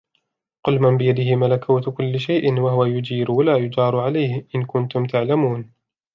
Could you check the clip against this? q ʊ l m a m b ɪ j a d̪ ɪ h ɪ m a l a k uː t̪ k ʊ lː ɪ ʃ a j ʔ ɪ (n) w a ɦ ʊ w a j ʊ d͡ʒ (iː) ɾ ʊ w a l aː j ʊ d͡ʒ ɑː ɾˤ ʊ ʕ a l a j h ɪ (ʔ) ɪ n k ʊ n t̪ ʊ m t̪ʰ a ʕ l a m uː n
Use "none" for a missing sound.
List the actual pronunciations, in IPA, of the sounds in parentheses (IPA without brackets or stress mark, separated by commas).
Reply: n, iː, ʔ